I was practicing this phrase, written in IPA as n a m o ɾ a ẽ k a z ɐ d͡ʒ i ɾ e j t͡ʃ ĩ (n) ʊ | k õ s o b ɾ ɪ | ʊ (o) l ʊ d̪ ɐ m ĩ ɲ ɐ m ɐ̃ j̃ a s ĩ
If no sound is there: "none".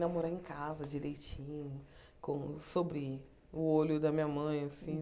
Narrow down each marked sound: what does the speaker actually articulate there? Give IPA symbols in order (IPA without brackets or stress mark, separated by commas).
ɲ, o